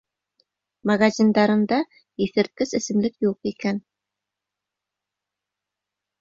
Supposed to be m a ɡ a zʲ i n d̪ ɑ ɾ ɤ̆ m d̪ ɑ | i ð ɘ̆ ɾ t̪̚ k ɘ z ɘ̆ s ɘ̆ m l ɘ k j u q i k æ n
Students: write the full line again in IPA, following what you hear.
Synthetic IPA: m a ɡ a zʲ i n d̪ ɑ ɾ ɤ̆ n d̪ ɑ | i θ ɘ̆ ɾ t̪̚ k ɘ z ɘ̆ s ɘ̆ m l ɘ k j u q i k æ n